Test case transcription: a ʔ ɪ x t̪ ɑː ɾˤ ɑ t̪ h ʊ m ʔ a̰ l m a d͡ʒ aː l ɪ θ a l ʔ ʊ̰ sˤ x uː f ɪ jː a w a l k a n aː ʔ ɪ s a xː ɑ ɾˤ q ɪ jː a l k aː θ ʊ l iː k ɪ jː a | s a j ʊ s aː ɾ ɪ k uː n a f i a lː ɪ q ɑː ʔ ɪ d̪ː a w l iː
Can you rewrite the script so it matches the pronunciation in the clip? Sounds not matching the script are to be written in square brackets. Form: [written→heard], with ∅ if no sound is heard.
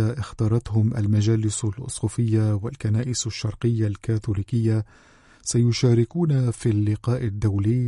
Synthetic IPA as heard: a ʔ ɪ x t̪ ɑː ɾˤ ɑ t̪ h ʊ m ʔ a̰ l m a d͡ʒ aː l ɪ [θ→s] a l ʔ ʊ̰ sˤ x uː f ɪ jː a w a l k a n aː ʔ ɪ s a [xː→ʃː] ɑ ɾˤ q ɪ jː a l k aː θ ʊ l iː k ɪ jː a | s a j ʊ [s→ʃ] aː ɾ ɪ k uː n a f i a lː ɪ q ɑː ʔ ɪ d̪ː a w l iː